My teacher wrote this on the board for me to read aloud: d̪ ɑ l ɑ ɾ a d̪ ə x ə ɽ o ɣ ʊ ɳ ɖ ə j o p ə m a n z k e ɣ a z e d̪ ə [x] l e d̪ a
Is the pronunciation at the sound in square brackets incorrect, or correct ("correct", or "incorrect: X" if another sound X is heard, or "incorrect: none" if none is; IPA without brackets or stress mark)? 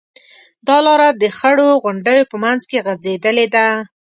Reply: incorrect: none